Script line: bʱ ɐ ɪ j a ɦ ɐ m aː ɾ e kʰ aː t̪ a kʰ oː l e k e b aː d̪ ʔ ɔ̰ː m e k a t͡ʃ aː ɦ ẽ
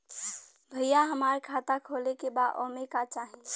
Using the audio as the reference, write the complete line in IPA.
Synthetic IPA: bʱ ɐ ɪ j a ɦ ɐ m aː ɾ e kʰ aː t̪ a kʰ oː l e k e b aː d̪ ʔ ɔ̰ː m e k a t͡ʃ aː ɦ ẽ

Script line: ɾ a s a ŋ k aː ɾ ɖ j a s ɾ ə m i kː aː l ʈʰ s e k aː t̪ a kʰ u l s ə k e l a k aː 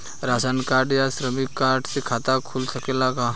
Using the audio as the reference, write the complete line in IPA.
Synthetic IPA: ɾ a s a n k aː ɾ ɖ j a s ɾ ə m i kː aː ɾ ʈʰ s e kʰ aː t̪ a kʰ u l s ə k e l a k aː

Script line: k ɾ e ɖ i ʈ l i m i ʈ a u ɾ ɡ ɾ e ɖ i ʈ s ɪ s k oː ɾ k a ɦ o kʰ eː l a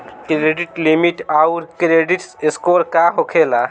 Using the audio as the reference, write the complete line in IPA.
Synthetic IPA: k ɾ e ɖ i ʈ l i m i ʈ a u ɾ k ɾ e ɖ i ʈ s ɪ s k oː ɾ k a ɦ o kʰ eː l a

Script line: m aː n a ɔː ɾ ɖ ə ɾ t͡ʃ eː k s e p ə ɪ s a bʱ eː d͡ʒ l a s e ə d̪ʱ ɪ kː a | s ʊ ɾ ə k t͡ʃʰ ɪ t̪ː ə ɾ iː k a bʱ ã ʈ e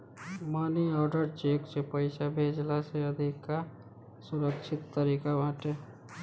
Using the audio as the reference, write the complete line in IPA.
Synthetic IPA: m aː n i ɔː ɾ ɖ ə ɾ t͡ʃ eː k s e p ə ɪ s a bʱ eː d͡ʒ l a s e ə d̪ʱ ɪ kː a | s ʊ ɾ ə k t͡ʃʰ ɪ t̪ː ə ɾ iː k a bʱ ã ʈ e

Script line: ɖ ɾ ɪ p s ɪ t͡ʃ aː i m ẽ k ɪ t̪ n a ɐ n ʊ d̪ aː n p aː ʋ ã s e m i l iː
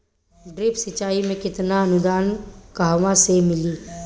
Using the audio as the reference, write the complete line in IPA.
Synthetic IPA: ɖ ɾ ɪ p s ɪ t͡ʃ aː i m ẽ k ɪ t̪ n a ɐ n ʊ d̪ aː n k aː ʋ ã s e m ɪ l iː

